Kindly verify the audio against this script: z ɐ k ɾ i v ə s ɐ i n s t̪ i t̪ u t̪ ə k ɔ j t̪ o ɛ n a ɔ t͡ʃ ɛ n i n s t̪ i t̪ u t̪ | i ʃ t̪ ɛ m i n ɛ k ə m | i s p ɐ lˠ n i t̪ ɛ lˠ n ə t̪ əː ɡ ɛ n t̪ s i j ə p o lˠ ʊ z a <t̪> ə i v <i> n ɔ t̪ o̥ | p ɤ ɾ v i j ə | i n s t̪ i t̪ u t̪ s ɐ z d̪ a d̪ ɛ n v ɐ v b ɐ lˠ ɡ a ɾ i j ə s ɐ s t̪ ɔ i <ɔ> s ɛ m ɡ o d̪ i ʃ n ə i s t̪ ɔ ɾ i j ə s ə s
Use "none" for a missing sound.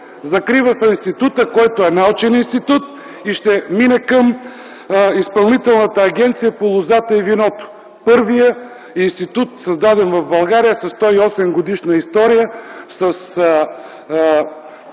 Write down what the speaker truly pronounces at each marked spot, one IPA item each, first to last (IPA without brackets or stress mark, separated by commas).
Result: t̪, i, ɔ